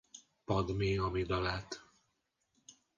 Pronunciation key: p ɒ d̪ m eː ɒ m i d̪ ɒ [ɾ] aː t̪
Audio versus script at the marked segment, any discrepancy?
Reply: yes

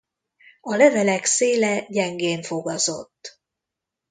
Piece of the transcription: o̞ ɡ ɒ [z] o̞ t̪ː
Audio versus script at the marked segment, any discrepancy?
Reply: no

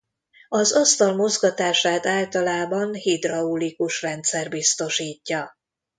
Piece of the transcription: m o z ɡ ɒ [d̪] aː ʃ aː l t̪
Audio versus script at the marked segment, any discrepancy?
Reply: yes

